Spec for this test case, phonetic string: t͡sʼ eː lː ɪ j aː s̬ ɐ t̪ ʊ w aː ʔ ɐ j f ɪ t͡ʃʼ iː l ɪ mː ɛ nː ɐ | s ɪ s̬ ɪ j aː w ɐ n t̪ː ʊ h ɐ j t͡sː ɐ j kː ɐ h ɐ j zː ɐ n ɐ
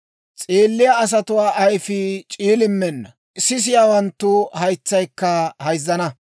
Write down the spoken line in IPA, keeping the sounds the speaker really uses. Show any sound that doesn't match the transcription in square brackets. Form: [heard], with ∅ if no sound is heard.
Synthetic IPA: t͡sʼ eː lː ɪ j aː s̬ ɐ t̪ ʊ w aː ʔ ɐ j f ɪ t͡ʃʼ iː l ɪ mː ɛ nː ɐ | s ɪ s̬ ɪ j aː w ɐ n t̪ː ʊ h ɐ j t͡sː ɐ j kː ɐ h ɐ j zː ɐ n ɐ